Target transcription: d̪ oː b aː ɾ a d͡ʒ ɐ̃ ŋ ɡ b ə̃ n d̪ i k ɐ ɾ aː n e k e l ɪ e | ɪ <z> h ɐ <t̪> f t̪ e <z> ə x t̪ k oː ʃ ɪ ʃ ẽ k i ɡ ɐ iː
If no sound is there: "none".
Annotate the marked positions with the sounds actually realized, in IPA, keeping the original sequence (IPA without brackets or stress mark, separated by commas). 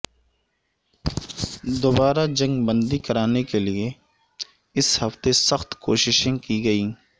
s, none, s